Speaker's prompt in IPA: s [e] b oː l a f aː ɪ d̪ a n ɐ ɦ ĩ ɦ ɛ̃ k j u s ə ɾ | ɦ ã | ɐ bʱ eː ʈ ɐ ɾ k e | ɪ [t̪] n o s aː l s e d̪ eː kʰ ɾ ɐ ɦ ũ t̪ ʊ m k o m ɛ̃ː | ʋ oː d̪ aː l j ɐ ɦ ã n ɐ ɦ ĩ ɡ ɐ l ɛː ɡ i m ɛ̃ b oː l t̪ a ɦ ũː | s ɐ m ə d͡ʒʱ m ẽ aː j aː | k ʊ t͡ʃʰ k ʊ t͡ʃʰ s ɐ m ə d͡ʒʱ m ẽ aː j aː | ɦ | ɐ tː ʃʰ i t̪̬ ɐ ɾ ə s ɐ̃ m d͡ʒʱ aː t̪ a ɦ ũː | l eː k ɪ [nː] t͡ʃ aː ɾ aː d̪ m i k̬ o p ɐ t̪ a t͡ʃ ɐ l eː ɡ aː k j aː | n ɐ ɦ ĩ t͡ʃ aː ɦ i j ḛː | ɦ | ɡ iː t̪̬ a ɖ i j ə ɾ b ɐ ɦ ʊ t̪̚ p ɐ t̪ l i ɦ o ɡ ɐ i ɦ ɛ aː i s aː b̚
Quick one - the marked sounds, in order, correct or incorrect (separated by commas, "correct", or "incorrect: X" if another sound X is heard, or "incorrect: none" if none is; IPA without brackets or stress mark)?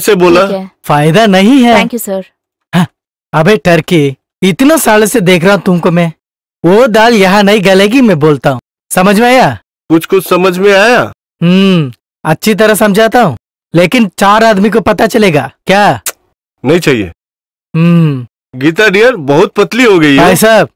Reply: correct, correct, incorrect: n